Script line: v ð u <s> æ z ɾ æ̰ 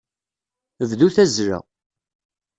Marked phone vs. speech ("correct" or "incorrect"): incorrect